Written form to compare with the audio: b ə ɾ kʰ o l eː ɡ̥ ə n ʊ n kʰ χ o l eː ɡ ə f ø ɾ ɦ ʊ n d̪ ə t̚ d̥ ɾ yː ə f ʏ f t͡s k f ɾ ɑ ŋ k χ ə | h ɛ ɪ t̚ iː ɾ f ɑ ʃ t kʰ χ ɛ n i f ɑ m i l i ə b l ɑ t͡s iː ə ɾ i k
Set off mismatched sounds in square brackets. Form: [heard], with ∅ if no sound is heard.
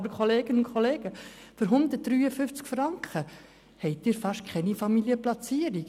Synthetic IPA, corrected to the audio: b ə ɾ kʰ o l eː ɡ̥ ə n ʊ n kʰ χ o l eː ɡ ə f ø ɾ ɦ ʊ n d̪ ə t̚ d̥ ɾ yː ə f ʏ f t͡s k f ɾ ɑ ŋ k χ ə | h ɛ ɪ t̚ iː ɾ f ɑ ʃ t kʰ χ ɛ n i f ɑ m i l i ə [p] l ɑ t͡s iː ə ɾ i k